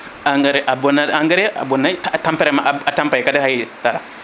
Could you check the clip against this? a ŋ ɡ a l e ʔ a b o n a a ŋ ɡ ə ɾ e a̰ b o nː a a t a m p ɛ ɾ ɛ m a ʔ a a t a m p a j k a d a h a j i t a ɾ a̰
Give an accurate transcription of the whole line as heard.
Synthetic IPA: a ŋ ɡ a ɾ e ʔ a b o n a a ŋ ɡ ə ɾ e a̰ b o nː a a t a m p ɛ ɾ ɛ m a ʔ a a t a m p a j k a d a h a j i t a ɾ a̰